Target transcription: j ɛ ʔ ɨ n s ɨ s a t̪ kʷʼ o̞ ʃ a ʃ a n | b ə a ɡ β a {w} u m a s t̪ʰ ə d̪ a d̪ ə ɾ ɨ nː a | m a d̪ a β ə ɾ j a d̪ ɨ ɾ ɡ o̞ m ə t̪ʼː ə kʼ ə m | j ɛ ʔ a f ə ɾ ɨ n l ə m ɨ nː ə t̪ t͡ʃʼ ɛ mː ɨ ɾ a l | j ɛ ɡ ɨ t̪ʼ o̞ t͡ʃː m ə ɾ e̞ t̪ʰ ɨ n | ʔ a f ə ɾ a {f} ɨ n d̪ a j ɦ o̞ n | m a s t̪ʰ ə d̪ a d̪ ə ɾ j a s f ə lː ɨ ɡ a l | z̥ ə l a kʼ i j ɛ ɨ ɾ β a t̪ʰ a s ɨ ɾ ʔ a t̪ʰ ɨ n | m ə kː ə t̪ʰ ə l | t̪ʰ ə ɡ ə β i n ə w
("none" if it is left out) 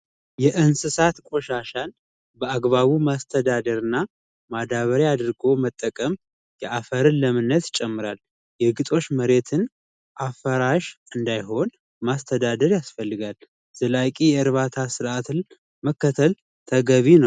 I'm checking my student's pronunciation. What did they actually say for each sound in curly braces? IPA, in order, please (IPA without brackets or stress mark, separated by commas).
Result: β, ʃ